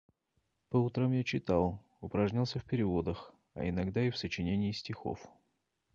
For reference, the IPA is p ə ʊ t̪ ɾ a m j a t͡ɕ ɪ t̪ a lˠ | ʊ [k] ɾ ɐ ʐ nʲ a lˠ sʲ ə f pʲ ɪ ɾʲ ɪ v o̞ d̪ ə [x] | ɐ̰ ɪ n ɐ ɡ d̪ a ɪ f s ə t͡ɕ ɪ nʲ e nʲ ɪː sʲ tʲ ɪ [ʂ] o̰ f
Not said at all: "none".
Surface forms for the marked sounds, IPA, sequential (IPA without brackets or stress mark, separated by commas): p, x, x